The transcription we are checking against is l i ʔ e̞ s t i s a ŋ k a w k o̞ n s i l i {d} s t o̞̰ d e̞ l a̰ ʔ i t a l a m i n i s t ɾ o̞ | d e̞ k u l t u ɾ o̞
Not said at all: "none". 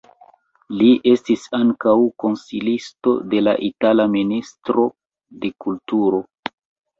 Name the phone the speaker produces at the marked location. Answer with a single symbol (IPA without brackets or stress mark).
none